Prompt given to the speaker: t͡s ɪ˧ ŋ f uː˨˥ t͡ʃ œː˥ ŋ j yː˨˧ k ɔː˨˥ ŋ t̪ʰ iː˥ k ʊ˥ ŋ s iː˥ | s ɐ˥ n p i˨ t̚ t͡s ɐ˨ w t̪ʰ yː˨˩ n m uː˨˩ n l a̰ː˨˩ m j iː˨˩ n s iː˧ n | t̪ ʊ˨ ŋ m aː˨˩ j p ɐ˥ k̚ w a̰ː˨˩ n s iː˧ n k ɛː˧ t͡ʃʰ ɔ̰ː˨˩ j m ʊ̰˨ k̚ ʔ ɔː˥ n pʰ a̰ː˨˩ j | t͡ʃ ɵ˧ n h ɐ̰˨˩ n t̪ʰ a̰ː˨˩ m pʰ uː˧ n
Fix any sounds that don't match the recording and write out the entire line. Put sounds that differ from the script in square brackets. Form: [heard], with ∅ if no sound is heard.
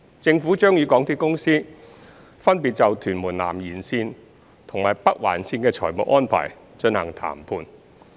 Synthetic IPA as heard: t͡s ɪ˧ ŋ f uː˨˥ t͡ʃ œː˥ ŋ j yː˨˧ k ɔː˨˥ ŋ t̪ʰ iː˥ k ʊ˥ ŋ s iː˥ | [f] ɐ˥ n p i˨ t̚ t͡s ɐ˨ w t̪ʰ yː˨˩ n m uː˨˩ n l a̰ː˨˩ m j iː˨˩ n s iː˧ n | [t̪ʰ] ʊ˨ ŋ m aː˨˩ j p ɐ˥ k̚ w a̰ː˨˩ n s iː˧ n k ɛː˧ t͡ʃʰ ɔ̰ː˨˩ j m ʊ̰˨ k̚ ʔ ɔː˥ n pʰ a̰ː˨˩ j | t͡ʃ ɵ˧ n h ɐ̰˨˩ [ŋ] t̪ʰ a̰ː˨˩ m pʰ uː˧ n